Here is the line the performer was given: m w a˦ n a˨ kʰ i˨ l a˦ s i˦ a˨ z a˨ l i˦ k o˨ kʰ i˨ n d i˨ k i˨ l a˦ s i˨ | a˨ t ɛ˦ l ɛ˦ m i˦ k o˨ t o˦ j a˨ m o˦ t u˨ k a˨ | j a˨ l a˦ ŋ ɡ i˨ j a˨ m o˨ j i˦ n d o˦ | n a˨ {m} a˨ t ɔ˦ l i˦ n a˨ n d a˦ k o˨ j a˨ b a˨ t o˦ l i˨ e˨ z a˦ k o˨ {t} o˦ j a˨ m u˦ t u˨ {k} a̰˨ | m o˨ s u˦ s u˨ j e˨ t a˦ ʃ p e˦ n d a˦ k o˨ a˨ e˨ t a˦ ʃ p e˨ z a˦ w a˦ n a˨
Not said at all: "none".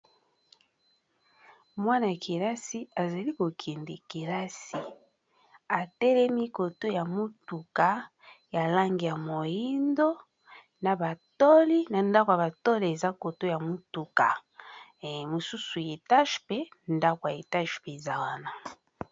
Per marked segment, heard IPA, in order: b, t, k

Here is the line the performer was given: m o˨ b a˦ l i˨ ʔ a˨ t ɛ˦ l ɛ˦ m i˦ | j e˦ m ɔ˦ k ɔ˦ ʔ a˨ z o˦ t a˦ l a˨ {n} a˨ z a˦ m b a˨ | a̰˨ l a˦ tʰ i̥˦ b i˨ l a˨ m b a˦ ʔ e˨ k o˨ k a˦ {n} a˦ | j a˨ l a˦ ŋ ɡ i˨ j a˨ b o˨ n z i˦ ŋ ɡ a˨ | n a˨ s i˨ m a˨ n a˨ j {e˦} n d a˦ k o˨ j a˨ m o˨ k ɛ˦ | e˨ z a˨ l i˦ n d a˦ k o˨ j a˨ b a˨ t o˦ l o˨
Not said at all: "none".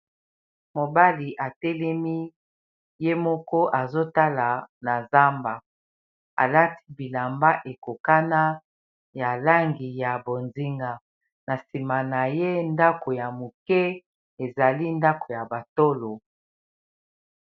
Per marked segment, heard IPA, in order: n, n, e˦

